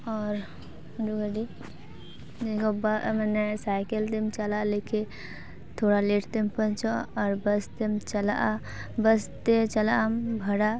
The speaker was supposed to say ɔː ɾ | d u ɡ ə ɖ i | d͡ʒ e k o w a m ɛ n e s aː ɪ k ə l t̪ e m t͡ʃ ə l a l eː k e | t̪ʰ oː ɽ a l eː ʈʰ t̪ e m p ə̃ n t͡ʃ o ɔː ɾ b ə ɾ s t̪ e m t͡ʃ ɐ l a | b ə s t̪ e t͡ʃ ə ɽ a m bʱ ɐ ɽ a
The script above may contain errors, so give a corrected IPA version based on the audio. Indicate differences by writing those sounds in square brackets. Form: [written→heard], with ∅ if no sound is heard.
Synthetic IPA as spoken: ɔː ɾ | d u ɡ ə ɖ i | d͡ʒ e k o [w→b] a m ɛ n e s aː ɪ k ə l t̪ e m t͡ʃ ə l a l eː k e | t̪ʰ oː ɽ a l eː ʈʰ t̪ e m p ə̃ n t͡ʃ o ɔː ɾ b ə [ɾ→∅] s t̪ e m t͡ʃ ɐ l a | b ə s t̪ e t͡ʃ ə [ɽ→l] a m bʱ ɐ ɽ a